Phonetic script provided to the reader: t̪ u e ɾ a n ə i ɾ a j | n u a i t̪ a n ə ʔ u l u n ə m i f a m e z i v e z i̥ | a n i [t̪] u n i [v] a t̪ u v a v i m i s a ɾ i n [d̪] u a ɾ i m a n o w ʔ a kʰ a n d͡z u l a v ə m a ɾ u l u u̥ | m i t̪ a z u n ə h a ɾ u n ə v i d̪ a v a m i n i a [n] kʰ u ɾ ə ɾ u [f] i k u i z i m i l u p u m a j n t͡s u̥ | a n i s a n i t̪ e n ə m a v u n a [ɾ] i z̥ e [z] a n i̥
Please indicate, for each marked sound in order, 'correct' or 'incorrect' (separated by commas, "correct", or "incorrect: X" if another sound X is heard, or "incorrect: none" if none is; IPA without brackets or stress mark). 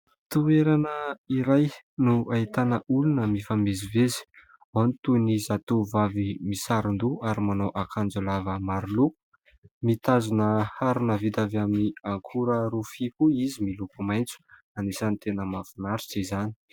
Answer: correct, incorrect: z, correct, incorrect: ŋ, correct, correct, correct